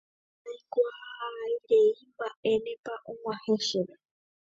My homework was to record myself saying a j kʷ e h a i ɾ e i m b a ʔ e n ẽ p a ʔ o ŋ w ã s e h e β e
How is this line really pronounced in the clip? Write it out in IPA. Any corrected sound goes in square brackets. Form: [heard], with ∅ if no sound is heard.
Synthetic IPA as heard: a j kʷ [a] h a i ɾ e i m b a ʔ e n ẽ p a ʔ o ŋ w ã [h] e [ʃ] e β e